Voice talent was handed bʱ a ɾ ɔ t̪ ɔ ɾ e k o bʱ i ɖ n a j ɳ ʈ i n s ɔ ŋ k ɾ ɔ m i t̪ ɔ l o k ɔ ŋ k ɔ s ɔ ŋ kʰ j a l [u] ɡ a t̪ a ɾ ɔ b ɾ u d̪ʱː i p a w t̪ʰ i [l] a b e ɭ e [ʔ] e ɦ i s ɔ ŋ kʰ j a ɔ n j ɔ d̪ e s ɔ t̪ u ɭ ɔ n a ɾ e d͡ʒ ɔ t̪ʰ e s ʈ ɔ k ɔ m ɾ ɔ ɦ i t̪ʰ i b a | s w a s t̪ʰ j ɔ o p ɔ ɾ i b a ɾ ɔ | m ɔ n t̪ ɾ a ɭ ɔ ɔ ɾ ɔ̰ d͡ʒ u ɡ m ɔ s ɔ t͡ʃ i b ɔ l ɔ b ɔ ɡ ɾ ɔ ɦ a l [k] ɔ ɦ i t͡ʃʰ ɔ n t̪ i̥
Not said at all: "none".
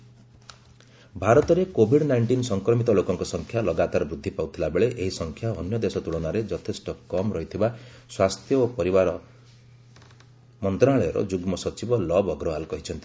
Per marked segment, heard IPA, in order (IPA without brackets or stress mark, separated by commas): ɔ, l, ʔ, k